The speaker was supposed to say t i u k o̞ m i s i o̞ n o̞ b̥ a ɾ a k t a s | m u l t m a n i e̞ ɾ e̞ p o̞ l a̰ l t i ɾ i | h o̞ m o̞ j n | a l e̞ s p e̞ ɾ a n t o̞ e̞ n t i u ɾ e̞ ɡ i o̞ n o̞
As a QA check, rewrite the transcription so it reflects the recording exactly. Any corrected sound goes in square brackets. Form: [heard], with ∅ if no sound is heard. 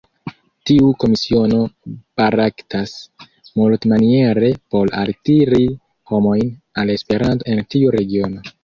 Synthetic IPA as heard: t i u k o̞ m i s i o̞ n o̞ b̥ a ɾ a k t a s | m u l t m a n i e̞ ɾ e̞ p o̞ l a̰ l t i ɾ i | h o̞ m o̞ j n | a l e̞ s p e̞ ɾ a n t o̞ e̞ n t i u ɾ e̞ ɡ i o̞ n o̞